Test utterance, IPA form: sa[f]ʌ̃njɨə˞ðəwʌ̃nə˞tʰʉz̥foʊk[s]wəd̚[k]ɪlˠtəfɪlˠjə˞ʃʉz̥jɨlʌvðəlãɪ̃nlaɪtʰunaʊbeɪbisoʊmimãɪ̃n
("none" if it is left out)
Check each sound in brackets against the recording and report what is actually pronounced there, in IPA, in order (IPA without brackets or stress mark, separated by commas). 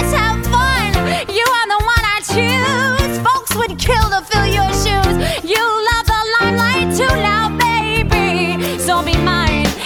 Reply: f, s, kʰ